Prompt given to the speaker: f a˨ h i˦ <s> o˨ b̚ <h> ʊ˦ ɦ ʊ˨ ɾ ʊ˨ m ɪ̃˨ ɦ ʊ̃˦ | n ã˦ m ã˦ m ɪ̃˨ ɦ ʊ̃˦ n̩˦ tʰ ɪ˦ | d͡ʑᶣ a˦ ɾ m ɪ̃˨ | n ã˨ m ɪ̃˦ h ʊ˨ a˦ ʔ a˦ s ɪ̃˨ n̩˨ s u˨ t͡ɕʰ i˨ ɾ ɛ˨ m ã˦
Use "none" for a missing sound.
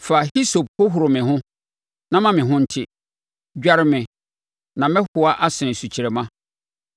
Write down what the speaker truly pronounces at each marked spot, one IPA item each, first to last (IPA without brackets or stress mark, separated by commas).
s, h